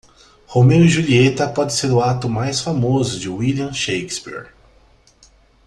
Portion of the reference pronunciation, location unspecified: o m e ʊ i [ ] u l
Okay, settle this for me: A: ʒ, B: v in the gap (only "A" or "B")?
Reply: A